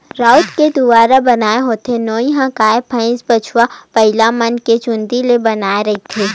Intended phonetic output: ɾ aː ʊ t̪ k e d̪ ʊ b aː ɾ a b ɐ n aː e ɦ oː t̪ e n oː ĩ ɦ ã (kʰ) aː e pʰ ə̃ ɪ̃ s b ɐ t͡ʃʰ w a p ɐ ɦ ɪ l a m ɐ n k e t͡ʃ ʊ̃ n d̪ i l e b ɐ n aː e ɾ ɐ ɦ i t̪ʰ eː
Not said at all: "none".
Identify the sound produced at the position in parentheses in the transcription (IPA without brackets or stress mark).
k